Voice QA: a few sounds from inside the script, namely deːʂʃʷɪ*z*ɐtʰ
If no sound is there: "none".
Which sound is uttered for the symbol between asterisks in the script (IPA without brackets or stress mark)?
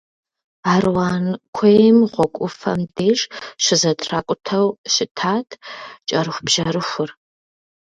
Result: z